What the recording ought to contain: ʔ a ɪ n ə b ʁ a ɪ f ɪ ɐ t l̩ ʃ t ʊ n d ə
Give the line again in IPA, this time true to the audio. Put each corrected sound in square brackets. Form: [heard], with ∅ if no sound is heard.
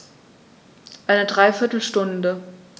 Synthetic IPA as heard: ʔ a ɪ n ə [d] ʁ a ɪ f ɪ ɐ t l̩ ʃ t ʊ n d ə